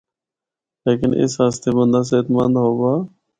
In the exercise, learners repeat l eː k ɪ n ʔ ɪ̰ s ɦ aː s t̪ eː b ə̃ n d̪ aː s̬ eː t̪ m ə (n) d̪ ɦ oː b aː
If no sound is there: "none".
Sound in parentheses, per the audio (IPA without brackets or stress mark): n